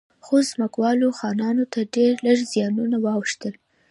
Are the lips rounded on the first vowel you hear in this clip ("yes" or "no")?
yes